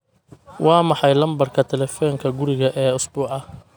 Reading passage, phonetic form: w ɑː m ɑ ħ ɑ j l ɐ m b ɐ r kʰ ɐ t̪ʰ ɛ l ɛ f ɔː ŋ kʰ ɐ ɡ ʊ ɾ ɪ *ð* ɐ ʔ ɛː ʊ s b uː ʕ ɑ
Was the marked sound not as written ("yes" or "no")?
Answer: yes